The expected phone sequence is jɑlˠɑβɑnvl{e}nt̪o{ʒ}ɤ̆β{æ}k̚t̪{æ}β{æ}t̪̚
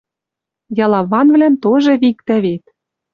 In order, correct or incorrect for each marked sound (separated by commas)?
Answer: incorrect, correct, incorrect, correct, incorrect